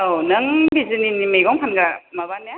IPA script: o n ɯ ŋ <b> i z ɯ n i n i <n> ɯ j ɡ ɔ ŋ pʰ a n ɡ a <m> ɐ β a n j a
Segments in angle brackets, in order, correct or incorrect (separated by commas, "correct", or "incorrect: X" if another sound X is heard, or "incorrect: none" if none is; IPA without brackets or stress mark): correct, incorrect: m, correct